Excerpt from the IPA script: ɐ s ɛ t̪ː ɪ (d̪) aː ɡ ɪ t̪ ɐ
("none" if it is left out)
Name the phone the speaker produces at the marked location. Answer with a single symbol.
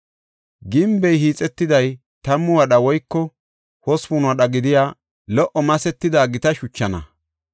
d̪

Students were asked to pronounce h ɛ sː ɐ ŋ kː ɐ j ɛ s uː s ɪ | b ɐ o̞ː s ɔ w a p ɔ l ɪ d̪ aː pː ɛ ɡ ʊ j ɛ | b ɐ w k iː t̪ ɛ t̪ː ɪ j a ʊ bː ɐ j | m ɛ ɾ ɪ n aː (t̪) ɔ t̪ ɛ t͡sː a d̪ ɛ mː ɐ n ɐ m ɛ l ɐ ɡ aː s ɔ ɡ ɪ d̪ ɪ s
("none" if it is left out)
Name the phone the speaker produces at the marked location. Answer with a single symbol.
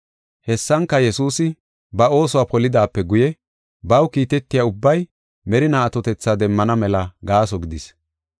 t̪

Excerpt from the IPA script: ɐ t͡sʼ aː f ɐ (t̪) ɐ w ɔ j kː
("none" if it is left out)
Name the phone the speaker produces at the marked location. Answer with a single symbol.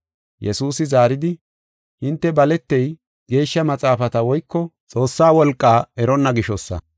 t̪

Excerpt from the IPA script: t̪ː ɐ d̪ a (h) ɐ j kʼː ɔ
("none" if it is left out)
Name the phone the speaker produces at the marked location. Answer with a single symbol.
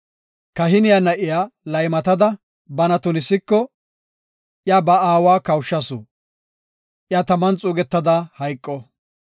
h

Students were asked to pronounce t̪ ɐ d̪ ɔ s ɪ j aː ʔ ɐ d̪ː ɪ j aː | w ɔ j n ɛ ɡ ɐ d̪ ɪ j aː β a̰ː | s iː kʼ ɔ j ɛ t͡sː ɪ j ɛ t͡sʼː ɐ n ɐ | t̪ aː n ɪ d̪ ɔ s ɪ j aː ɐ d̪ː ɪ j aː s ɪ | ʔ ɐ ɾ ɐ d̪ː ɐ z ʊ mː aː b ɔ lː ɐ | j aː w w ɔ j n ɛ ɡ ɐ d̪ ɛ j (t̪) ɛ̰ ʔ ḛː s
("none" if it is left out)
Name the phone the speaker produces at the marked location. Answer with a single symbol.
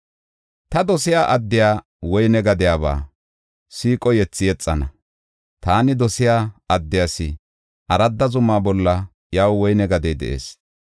d̪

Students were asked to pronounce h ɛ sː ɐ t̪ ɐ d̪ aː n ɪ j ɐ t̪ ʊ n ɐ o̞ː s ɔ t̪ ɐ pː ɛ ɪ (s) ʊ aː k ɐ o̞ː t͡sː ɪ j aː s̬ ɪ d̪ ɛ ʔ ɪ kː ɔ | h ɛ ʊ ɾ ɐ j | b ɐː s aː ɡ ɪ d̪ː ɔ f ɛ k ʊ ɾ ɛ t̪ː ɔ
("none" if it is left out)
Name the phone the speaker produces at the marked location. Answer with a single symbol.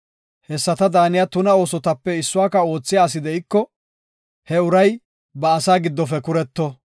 sː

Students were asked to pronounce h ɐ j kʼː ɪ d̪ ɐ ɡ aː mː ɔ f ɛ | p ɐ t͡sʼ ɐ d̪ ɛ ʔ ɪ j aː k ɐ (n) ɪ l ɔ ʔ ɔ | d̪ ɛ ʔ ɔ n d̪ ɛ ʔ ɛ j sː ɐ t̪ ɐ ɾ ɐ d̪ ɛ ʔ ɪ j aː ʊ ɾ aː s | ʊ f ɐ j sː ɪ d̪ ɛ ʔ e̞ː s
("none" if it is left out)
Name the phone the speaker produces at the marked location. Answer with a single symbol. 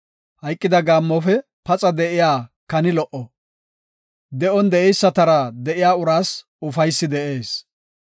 n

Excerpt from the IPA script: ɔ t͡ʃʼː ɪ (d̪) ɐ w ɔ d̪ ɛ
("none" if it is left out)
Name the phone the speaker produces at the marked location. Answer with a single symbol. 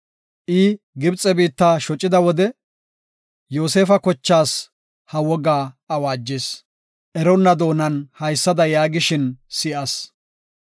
d̪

